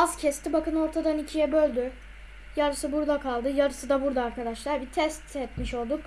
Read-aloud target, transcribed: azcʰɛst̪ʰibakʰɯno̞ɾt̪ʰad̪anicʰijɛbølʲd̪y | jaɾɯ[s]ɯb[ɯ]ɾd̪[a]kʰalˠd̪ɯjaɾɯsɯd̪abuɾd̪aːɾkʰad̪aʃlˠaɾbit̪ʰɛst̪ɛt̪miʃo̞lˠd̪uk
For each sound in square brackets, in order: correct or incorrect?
correct, incorrect: u, correct

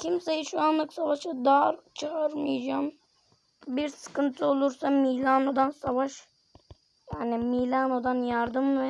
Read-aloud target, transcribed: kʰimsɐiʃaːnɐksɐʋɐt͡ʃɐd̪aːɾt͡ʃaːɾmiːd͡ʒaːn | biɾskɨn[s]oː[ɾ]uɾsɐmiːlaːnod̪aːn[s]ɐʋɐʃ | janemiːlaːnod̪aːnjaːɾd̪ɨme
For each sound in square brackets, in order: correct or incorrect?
incorrect: t͡s, incorrect: l, correct

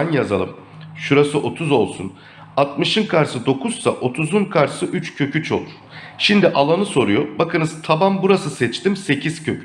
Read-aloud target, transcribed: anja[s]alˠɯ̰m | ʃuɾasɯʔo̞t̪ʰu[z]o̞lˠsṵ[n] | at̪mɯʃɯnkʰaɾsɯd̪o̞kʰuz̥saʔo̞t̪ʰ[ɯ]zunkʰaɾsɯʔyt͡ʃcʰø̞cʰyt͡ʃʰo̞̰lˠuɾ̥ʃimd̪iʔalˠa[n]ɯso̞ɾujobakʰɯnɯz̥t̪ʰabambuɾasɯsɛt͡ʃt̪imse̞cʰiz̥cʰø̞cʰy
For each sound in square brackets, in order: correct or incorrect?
incorrect: z, correct, correct, incorrect: u, correct

